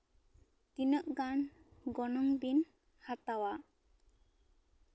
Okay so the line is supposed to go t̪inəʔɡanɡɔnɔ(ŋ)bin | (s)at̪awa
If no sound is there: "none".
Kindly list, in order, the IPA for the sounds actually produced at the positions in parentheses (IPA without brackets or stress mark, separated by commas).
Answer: ŋ, h